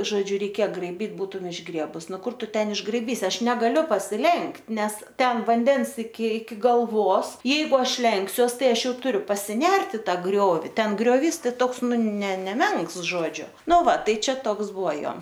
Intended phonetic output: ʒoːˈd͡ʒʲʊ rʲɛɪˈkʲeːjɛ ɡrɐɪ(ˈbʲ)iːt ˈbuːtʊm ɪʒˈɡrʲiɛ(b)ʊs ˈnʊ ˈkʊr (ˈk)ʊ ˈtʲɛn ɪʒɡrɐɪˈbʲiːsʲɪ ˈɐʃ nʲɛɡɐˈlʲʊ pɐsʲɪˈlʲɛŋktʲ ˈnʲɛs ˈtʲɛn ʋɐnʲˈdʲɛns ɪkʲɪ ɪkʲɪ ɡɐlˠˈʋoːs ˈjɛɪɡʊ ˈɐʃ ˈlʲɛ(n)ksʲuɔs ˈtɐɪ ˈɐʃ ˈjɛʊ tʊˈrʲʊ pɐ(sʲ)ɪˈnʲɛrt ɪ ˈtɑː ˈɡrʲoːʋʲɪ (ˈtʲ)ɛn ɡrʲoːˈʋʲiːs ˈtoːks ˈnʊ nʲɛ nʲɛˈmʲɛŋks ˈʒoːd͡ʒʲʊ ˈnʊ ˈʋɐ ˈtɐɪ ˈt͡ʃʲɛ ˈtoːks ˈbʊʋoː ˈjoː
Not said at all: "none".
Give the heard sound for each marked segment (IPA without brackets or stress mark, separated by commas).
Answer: bʲ, b, t, ŋ, sʲ, tʲ